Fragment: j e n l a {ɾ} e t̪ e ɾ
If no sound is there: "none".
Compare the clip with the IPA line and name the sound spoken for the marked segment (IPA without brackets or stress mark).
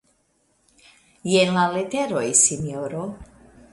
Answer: l